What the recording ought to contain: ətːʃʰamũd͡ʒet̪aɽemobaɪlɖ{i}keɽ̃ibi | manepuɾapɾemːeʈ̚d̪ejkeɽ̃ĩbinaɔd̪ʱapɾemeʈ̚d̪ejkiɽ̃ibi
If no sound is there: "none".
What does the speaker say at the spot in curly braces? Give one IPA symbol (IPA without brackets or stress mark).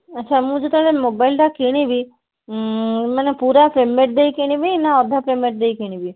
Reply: a